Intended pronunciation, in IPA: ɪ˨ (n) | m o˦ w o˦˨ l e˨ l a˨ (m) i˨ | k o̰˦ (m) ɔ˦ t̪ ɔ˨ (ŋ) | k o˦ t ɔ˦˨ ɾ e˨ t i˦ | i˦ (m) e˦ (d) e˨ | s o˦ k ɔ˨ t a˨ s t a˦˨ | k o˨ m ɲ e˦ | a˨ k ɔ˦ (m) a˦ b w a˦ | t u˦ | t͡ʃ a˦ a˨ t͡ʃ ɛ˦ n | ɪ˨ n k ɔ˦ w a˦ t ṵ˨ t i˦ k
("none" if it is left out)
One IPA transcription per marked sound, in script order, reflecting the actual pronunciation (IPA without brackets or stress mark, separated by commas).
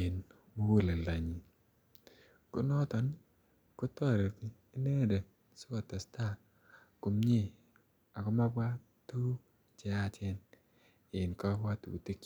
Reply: n, ɲ, n, n, n, d, m